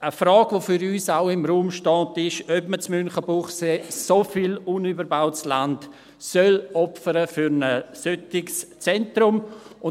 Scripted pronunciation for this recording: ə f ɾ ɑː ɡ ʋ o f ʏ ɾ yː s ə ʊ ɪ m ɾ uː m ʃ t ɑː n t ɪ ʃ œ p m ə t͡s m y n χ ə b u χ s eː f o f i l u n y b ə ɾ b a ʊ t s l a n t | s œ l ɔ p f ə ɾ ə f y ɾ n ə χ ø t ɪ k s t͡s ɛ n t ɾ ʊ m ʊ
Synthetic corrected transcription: ə f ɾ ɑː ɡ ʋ o f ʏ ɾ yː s a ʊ ɪ m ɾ uː m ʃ t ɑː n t ɪ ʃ œ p m ə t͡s m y n χ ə b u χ s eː s o f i l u n y b ə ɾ b a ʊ t s l a n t | s œ l ɔ p f ə ɾ ə f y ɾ n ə s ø t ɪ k s t͡s ɛ n t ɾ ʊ m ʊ